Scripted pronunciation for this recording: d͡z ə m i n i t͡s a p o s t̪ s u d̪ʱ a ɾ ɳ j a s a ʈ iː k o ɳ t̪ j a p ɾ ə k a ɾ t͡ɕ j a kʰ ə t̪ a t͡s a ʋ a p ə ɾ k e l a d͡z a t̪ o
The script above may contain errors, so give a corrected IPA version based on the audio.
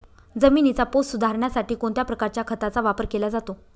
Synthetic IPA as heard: d͡z ə m i n i t͡s a p o s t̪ s u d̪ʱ a ɾ ɳ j a s a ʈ iː k o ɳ t̪ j a p ɾ ə k a ɾ t͡ɕ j a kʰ ə t̪ a t͡s a ʋ a p ə ɾ k e l a d͡z a t̪ o